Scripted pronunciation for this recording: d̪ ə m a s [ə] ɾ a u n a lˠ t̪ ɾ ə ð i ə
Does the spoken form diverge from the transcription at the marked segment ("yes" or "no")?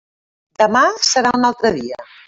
no